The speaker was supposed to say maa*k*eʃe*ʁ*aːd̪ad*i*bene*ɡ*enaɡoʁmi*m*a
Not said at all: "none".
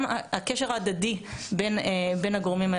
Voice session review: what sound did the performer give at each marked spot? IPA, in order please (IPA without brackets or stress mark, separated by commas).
k, ʁ, i, b, m